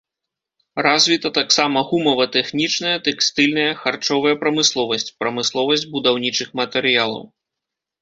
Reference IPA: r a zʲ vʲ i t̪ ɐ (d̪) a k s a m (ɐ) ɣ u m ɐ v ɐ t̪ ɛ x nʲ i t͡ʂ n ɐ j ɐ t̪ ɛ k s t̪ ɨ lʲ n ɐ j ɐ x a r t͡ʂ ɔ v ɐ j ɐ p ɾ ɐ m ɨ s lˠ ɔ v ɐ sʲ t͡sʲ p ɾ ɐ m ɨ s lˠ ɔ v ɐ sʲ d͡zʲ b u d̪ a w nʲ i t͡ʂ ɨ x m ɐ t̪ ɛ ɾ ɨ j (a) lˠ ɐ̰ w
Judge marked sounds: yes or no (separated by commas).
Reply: no, yes, yes